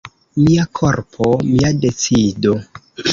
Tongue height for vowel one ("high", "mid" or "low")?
high